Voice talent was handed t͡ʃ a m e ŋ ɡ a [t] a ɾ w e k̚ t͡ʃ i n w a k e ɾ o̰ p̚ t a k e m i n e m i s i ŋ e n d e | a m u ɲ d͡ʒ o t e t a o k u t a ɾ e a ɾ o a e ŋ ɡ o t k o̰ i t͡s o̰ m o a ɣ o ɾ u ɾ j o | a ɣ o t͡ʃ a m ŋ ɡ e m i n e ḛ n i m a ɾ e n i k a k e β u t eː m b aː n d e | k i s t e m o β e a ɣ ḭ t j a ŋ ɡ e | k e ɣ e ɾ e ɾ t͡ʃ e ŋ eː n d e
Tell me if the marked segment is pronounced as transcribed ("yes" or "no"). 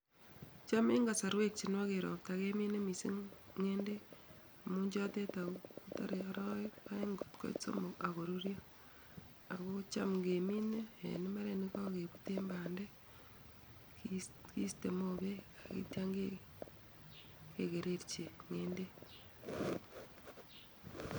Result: no